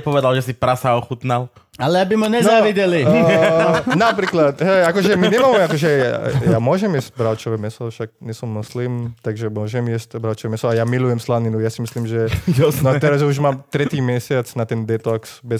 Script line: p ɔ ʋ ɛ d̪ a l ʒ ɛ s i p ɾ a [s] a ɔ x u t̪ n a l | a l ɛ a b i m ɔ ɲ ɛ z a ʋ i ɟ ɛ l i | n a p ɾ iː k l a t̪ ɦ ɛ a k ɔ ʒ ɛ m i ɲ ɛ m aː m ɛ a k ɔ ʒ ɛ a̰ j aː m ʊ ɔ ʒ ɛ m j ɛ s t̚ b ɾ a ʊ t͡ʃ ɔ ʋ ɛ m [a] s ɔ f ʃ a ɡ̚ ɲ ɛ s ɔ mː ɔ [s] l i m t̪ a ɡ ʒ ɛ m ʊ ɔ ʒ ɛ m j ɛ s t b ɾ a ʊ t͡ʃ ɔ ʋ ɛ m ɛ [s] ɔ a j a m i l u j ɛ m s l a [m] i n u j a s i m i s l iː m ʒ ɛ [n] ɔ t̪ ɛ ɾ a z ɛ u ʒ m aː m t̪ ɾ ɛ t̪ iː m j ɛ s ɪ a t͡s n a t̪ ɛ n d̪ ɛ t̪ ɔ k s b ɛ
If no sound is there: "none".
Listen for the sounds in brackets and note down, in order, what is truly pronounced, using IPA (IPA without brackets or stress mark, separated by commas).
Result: s, ɛ, s, s, n, n